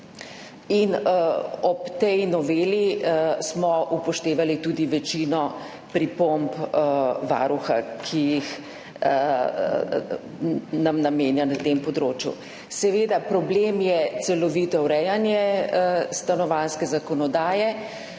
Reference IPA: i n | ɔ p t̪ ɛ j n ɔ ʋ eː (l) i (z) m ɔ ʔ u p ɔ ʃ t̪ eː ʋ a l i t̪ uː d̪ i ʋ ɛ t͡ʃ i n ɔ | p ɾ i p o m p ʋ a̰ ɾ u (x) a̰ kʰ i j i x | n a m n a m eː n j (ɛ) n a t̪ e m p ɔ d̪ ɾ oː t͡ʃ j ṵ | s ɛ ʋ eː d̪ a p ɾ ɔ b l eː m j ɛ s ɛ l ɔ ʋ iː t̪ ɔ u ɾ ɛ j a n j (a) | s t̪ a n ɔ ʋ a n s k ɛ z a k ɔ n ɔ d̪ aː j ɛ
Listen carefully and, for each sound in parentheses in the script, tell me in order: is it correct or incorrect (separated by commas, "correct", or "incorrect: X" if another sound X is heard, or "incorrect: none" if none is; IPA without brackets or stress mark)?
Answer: correct, incorrect: s, correct, incorrect: a, incorrect: ɛ